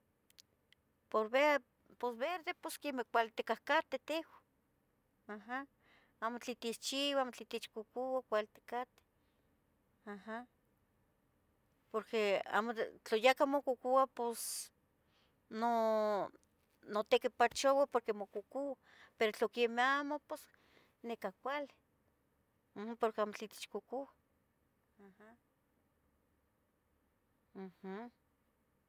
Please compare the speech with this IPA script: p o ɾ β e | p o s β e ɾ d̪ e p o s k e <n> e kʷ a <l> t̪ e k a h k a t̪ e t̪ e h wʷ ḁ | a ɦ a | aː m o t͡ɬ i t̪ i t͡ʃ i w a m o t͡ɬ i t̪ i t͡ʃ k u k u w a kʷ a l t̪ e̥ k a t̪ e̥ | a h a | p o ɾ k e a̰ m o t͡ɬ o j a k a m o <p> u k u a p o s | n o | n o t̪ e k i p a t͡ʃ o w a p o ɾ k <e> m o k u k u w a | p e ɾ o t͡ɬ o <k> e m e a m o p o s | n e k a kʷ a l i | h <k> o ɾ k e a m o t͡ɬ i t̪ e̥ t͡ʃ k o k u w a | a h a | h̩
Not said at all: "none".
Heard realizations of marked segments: m, l, k, e, k, p

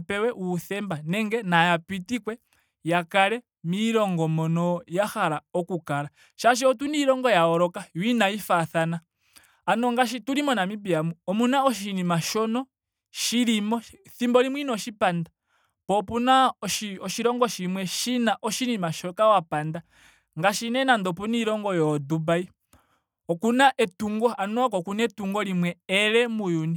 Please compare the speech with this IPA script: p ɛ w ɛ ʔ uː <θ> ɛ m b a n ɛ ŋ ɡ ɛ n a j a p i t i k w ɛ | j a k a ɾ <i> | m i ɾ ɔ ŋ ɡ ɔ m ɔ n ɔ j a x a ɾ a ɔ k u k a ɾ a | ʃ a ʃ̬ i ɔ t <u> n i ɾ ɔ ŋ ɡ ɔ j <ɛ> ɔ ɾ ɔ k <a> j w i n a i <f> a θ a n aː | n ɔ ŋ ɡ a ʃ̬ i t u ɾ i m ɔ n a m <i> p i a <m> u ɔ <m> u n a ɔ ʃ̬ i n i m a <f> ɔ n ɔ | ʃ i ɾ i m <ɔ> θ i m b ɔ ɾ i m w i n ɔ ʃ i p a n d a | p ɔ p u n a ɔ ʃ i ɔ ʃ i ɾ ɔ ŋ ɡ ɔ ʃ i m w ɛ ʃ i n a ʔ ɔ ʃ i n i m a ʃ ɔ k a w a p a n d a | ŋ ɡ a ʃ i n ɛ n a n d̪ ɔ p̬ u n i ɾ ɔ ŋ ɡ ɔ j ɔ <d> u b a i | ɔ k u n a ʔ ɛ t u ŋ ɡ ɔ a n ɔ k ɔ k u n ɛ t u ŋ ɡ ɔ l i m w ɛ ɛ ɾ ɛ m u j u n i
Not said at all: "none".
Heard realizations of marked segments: θ, ɛ, u, a, a, f, i, m, m, ʃ, ɔ, d

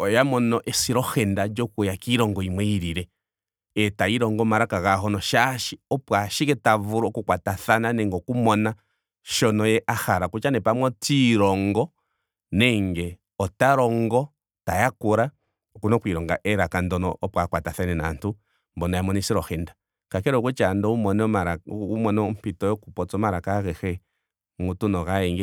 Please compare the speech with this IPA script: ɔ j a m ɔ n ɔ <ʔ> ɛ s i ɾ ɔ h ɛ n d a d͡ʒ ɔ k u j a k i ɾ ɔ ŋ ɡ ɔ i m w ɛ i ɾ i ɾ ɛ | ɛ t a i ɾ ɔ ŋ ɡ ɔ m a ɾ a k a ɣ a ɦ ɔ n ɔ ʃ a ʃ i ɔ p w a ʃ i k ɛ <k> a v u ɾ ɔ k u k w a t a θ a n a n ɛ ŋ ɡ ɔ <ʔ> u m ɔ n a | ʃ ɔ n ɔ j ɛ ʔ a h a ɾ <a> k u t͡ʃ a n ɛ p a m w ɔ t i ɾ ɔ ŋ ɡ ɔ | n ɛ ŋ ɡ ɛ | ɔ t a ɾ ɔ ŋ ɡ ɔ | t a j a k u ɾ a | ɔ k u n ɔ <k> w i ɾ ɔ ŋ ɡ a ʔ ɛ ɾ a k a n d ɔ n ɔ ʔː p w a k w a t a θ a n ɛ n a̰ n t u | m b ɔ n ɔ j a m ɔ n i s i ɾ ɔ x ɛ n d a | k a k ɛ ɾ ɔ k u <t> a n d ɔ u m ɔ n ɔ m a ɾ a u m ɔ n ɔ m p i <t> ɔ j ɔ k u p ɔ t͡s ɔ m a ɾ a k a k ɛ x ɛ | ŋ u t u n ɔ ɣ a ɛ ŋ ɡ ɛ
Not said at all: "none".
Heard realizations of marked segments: ʔ, t, k, a, k, t͡ʃ, t

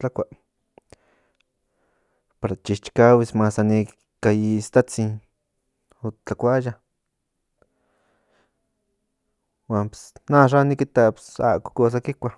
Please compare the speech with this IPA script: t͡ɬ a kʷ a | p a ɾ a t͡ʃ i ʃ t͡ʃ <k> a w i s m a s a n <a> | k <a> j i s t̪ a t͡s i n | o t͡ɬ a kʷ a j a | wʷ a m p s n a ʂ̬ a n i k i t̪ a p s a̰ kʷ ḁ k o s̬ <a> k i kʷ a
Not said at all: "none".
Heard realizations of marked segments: k, i, a, a

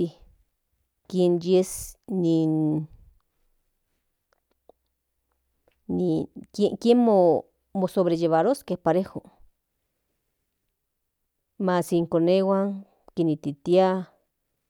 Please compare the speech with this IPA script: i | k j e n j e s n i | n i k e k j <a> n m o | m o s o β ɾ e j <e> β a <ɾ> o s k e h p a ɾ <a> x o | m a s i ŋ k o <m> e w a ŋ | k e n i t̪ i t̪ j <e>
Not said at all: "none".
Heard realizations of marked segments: e, e, ɾ, e, n, a

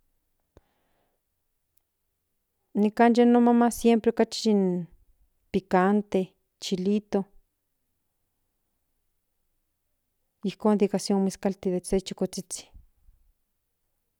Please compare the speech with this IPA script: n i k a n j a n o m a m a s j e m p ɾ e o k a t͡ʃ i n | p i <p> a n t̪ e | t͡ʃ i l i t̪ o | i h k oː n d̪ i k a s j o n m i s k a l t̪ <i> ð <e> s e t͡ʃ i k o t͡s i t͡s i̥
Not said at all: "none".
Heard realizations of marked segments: k, i, e

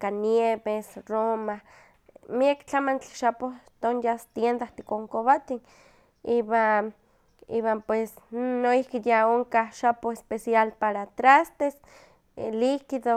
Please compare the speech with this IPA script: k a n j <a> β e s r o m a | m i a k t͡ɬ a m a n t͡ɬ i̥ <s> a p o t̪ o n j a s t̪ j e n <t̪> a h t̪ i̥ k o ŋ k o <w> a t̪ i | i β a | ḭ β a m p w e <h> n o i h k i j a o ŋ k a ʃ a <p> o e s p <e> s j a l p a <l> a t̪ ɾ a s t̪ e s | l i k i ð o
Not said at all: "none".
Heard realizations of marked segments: e, ʃ, d̪, β, s, p, e, ɾ

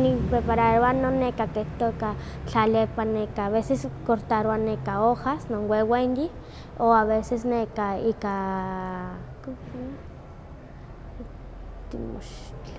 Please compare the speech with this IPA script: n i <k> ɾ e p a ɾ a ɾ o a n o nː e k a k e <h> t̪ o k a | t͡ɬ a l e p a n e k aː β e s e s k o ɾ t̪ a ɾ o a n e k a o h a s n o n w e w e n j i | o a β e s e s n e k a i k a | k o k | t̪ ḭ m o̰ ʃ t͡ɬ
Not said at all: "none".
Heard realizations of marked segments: p, h

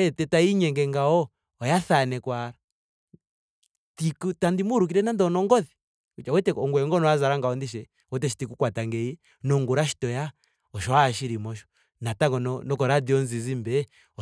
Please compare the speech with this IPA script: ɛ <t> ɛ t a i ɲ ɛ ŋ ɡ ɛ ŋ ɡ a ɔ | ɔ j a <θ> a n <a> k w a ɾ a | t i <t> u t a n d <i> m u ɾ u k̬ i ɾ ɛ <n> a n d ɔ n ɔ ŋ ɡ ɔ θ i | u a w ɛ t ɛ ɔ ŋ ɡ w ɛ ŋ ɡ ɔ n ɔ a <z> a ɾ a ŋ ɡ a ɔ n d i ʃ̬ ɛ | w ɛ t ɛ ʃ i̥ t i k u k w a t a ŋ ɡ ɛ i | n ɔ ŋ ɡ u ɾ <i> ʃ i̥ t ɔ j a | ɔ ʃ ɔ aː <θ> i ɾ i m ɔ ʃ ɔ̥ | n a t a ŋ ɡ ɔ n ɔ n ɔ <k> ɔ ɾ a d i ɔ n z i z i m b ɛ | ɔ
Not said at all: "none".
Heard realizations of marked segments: t, θ, ɛ, k, i, n, z, a, ʃ, k

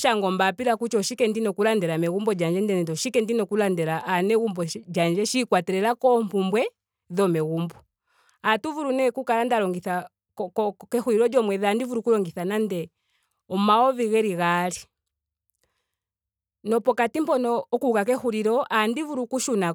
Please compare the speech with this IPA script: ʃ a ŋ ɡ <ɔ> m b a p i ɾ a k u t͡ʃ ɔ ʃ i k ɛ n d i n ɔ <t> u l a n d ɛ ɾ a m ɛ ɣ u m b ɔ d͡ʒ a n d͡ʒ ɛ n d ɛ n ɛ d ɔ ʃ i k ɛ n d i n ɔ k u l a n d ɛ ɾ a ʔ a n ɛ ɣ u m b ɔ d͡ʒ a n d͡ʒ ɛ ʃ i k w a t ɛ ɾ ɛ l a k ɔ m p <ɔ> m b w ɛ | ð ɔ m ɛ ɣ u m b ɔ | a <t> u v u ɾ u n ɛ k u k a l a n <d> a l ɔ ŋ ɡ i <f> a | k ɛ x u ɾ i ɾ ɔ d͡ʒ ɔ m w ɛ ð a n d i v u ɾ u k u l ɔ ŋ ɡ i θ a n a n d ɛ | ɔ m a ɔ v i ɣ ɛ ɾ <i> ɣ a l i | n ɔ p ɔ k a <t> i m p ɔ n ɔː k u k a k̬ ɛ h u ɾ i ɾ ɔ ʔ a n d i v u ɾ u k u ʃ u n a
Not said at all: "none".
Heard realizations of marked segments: ɔ, k, u, t, d, θ, i, t

